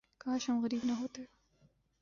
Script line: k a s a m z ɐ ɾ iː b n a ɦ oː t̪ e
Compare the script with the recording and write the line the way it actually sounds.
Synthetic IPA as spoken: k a ʃ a m ɣ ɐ ɾ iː b n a ɦ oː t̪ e